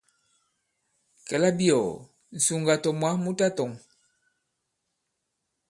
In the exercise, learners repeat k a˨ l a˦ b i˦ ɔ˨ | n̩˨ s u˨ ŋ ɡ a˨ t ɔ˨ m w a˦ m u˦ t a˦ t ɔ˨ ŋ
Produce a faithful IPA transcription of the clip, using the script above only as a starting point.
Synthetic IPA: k ɛ˨ l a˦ b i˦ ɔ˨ | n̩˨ s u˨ ŋ ɡ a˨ t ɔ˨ m w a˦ m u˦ t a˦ t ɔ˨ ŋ